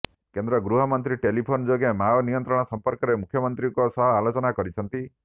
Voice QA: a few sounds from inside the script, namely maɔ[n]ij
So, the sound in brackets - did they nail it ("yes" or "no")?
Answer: yes